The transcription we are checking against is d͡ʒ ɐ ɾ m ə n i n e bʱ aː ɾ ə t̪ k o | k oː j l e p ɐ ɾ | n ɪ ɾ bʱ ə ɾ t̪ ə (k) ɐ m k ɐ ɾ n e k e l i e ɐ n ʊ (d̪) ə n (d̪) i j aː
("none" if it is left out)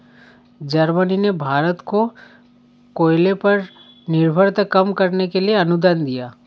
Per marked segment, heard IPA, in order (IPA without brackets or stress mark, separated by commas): k, d̪, d̪